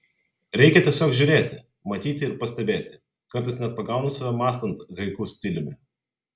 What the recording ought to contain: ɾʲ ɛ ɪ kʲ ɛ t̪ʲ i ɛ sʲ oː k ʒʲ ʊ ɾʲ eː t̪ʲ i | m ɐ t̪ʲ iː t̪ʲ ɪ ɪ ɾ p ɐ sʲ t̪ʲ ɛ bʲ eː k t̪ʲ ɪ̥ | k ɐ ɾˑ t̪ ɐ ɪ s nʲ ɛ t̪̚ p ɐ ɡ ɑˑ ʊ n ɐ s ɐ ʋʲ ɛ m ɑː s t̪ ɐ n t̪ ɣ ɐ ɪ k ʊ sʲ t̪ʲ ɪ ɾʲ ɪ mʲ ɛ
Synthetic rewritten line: ɾʲ ɛ ɪ kʲ ɛ t̪ʲ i ɛ sʲ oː k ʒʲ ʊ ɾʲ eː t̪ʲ ɪ | m ɐ t̪ʲ iː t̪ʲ ɪ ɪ ɾ p ɐ sʲ t̪ʲ ɛ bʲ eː t̪ʲ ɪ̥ | k ɐ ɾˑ t̪ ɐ ɪ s nʲ ɛ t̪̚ p ɐ ɡ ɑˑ ʊ n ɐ s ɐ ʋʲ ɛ m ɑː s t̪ ɐ n t̪ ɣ ɐ ɪ k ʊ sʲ t̪ʲ ɪ lʲ ɪ mʲ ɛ